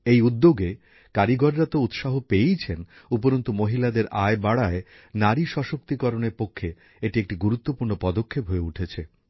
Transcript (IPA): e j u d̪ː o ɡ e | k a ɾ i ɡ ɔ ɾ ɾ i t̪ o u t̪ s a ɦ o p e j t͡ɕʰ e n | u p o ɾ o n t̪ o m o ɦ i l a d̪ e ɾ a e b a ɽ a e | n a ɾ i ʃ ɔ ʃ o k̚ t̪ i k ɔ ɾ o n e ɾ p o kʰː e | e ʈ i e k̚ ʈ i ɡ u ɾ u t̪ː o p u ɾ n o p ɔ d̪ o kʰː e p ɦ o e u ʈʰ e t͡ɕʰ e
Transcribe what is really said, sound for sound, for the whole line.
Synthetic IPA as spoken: e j u d̪ː o ɡ e | k a ɾ i ɡ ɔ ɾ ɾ a t̪ o u t̪ ʃ a ɦ o p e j t͡ɕʰ e n | u p o ɾ o n t̪ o m o ɦ i l a d̪ e ɾ a e b a ɽ a e | n a ɾ i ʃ ɔ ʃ o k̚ t̪ i k ɔ ɾ o n e ɾ p o kʰː e | e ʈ i e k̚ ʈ i ɡ u ɾ u t̪ː o p u ɾ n o p ɔ d̪ o kʰː e p ɦ o e u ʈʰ e t͡ɕʰ e